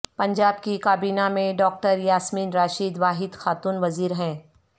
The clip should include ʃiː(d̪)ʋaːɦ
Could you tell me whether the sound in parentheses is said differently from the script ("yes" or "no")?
no